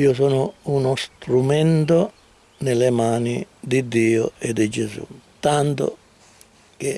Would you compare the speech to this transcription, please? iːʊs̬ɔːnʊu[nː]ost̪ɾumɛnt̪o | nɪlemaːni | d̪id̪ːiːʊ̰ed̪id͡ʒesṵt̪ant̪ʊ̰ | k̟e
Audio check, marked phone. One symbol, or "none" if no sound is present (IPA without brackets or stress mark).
n